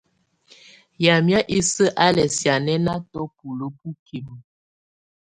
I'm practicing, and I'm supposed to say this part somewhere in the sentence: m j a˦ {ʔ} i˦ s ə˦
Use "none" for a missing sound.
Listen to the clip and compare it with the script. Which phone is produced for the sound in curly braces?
ʔ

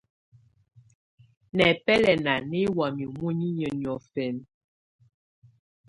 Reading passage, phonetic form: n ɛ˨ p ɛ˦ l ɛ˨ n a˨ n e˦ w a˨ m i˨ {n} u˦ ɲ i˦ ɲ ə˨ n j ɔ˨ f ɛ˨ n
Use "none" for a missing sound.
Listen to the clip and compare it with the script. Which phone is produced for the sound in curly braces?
m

